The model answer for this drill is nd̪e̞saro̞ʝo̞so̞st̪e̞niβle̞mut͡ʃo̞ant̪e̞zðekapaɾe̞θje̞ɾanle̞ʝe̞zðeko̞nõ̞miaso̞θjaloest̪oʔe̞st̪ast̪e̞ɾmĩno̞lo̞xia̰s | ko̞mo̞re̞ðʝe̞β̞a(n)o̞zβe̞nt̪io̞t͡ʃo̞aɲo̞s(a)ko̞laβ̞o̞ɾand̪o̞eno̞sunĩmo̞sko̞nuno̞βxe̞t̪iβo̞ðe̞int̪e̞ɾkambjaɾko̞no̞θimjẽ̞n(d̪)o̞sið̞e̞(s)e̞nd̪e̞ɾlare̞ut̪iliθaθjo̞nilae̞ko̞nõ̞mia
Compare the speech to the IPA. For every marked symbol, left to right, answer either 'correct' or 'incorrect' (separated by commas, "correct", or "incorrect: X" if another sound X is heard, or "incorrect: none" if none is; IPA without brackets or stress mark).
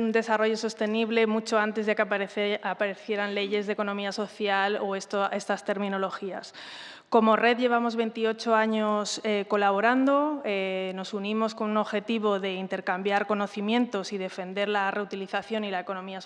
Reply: incorrect: m, incorrect: e, incorrect: t̪, incorrect: f